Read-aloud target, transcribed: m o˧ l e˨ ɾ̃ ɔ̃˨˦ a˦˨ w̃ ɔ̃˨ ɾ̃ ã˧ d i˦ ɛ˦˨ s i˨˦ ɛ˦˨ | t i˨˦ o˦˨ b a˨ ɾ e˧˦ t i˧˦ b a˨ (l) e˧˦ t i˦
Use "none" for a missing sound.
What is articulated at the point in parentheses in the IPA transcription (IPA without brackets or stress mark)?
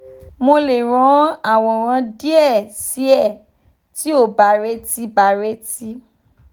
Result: ɾ